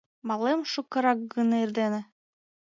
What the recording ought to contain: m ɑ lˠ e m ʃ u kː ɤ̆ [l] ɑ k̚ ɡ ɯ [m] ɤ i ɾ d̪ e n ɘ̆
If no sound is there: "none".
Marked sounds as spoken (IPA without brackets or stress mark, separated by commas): ɾ, n